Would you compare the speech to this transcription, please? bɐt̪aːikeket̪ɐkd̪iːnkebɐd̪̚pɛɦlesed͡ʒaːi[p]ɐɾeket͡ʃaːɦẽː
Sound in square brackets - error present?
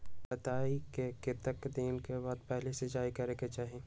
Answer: yes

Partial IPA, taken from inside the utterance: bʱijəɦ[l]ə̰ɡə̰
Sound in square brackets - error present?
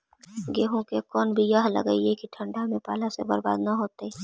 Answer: no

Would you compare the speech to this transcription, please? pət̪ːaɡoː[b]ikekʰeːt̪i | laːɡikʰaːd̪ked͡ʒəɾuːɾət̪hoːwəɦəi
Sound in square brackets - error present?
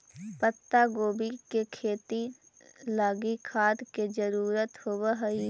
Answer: no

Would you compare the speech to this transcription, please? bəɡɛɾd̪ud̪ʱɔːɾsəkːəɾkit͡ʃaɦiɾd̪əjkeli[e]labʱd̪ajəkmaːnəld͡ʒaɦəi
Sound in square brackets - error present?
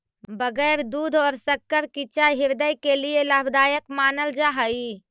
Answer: no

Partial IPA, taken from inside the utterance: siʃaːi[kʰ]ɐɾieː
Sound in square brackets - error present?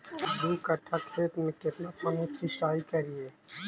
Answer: yes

